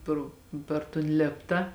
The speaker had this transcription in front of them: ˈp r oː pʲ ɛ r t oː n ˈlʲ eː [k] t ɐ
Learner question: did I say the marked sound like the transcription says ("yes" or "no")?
no